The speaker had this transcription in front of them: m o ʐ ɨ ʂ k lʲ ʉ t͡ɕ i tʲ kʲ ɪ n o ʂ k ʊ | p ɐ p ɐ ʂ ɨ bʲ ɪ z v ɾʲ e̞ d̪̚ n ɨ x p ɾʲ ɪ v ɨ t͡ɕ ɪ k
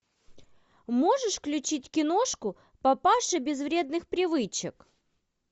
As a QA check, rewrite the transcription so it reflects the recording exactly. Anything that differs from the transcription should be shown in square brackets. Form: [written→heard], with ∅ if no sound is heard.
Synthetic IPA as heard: m o ʐ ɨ ʂ k lʲ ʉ t͡ɕ i tʲ kʲ ɪ n o ʂ k ʊ | p ɐ p [ɐ→a] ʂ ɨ bʲ ɪ z v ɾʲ e̞ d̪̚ n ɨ x p ɾʲ ɪ v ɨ t͡ɕ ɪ k